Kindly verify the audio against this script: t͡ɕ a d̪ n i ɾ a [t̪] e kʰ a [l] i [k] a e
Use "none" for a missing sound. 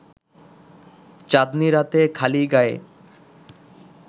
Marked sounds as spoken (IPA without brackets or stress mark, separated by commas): t̪, l, ɡ